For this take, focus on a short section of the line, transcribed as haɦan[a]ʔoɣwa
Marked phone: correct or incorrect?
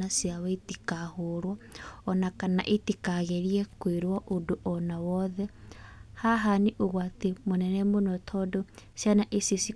incorrect